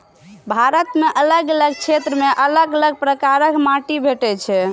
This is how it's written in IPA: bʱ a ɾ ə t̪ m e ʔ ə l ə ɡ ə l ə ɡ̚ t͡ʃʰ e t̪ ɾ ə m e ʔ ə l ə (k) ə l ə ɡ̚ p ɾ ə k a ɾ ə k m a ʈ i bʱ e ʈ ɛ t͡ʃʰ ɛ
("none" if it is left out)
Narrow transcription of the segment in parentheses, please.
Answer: ɡ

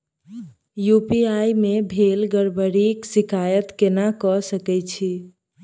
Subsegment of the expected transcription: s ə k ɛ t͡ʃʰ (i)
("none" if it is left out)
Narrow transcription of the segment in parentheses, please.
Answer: i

